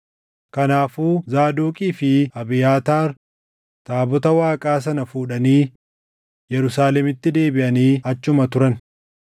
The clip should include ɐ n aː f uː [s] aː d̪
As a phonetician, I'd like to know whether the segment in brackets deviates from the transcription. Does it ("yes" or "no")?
yes